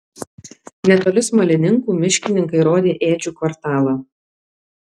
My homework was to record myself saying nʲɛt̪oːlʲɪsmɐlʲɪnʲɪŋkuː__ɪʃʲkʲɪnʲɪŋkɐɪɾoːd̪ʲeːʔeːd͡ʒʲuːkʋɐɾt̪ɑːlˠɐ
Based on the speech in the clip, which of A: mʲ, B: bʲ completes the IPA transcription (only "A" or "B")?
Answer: A